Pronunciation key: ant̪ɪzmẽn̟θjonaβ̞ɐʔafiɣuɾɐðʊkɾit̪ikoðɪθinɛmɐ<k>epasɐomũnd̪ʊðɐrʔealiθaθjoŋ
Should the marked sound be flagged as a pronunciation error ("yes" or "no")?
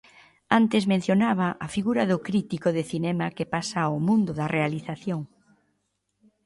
no